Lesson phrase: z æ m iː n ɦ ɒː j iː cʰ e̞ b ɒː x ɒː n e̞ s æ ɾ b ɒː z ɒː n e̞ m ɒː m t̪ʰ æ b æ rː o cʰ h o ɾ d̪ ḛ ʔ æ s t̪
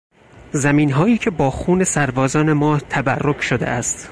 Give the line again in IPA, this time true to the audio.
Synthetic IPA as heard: z æ m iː n ɦ ɒː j iː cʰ e̞ b ɒː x uː n e̞ s æ ɾ b ɒː z ɒː n e̞ m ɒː t̪ʰ æ b æ rː o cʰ ʃ o d̪ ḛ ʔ æ s t̪

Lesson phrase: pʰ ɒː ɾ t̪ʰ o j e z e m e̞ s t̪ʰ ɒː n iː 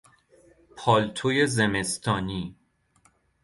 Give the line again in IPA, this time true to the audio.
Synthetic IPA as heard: pʰ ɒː l t̪ʰ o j e z e m e̞ s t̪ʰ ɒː n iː

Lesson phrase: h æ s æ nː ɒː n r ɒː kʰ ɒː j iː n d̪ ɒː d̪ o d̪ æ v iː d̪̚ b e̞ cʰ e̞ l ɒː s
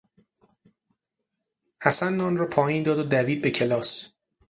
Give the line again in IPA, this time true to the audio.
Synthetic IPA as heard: h æ s æ nː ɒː n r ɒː pʰ ɒː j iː n d̪ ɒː d̪ o d̪ æ v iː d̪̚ b e̞ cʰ e̞ l ɒː s

